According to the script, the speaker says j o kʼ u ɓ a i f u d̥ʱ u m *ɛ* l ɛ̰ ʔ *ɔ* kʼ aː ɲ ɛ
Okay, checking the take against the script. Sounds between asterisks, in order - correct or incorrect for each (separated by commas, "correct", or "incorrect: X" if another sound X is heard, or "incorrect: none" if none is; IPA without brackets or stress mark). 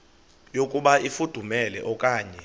correct, correct